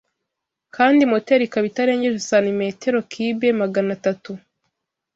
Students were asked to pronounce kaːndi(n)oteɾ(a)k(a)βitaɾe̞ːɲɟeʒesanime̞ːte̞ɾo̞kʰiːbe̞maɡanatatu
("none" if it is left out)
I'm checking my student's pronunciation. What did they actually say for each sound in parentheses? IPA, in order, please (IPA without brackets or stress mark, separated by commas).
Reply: m, i, a